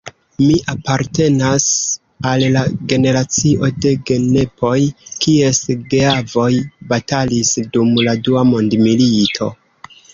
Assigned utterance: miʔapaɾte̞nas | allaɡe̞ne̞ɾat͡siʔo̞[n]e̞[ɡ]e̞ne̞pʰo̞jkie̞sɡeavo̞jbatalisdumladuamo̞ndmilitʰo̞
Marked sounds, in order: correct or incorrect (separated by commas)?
incorrect, correct